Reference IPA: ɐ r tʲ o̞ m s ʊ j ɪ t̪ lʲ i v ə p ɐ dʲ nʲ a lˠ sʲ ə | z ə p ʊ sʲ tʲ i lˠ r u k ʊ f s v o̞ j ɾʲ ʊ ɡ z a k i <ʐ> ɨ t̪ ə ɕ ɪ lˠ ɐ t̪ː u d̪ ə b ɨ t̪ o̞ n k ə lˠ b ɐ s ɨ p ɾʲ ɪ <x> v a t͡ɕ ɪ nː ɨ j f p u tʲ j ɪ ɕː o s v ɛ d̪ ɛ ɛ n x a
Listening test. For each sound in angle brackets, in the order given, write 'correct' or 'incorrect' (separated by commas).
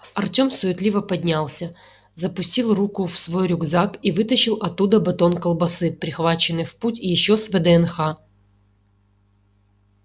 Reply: incorrect, correct